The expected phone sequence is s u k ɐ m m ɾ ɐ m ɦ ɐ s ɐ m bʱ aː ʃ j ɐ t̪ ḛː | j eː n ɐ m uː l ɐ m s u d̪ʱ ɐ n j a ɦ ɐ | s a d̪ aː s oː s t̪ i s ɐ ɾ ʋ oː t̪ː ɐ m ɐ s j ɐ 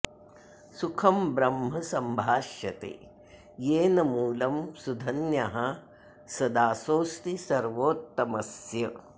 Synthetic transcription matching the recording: s u kʰ ɐ m b ɾ ɐ m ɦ ɐ s ɐ m bʱ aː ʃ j ɐ t̪ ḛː | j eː n ɐ m uː l ɐ m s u d̪ʱ ɐ n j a ɦ ɐ | s ɐ d̪ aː s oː s t̪ i s ɐ ɾ ʋ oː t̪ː ɐ m ɐ s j ɐ